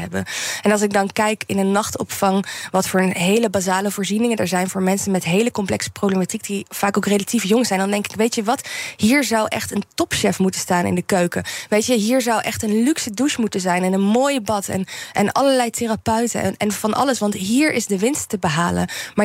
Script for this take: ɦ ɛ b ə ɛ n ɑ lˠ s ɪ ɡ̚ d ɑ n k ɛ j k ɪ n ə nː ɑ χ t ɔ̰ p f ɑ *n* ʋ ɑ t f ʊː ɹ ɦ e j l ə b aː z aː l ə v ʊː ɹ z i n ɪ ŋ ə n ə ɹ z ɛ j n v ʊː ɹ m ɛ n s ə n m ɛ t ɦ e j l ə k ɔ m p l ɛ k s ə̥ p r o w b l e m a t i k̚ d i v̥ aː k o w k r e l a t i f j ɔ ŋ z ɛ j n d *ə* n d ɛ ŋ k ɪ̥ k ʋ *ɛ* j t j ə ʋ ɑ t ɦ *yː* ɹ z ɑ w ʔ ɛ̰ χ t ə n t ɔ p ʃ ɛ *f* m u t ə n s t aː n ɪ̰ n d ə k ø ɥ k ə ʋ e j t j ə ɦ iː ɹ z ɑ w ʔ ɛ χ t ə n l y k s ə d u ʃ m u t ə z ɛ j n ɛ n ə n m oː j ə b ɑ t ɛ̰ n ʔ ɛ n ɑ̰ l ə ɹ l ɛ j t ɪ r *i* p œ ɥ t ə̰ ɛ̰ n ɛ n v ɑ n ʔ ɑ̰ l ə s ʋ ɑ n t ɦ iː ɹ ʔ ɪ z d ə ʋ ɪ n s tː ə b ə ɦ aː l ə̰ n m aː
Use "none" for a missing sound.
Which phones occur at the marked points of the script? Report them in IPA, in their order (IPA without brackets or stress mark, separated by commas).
ŋ, ɑ, e, iː, f, a